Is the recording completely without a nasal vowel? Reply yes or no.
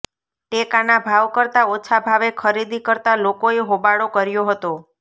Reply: yes